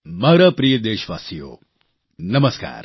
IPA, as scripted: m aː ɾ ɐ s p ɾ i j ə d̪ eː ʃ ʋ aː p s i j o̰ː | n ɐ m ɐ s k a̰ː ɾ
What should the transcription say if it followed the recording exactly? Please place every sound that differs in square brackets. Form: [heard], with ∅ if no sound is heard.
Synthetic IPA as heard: m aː ɾ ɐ [∅] p ɾ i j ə d̪ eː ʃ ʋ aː [∅] s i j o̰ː | n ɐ m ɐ s k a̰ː ɾ